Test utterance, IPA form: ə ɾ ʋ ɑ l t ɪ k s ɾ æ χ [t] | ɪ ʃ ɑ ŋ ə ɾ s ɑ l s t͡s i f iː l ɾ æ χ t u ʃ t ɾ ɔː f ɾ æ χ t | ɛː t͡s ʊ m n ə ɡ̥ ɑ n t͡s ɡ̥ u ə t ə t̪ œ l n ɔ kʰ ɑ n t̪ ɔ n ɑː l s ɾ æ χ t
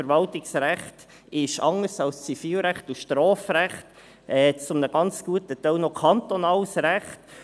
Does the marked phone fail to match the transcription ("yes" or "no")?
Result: no